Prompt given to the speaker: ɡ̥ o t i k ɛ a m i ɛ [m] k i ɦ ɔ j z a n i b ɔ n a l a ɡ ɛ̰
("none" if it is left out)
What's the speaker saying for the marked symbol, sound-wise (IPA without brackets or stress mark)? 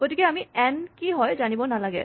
n